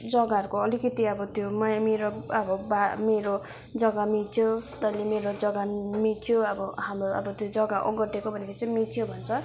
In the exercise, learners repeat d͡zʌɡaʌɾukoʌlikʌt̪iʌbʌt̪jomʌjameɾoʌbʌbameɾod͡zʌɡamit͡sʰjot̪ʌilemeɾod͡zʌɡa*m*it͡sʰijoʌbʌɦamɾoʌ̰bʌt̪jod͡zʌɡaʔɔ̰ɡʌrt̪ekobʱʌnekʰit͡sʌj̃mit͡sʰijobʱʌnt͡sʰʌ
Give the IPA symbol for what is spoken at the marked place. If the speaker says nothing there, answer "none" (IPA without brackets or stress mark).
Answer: m